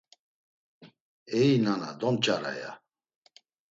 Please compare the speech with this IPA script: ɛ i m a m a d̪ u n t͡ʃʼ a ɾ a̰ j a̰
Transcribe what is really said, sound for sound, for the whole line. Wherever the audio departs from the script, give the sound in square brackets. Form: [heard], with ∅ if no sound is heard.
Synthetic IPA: ɛ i [n] a [n] a d̪ [ɔ] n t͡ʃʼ a ɾ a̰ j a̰